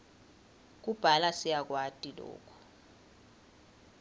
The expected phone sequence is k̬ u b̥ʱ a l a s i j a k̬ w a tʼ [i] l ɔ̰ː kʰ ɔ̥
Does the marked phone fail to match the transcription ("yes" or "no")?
no